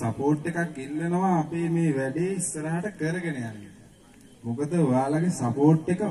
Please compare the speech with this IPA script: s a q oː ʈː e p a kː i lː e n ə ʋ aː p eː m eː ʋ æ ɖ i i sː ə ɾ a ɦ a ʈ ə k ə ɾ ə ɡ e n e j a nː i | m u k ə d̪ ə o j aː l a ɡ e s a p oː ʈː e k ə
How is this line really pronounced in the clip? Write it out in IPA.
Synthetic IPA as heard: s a p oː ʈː e k a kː i lː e n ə ʋ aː p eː m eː ʋ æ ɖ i i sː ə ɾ a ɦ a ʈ ə k ə ɾ ə ɡ e n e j a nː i | m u k ə d̪ ə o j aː l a ɡ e s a p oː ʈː e k ə